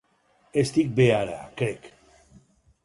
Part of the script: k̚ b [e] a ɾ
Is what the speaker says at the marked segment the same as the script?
yes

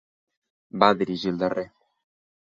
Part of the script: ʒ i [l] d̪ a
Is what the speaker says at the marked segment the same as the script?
yes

